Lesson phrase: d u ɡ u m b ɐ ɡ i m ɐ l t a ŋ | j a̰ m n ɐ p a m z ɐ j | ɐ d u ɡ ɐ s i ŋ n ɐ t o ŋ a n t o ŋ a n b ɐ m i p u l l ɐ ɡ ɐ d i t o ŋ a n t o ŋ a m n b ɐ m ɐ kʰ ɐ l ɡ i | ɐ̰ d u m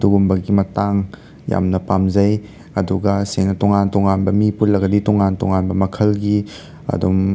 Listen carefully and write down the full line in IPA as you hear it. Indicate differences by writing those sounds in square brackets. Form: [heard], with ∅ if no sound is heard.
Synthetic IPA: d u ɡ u m b ɐ ɡ i m ɐ [∅] t a ŋ | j a̰ m n ɐ p a m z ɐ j | ɐ d u ɡ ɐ s [e] ŋ n ɐ t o ŋ a n t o ŋ a n b ɐ m i p u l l ɐ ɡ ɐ d i t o ŋ a n t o ŋ a [∅] n b ɐ m ɐ kʰ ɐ l ɡ i | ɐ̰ d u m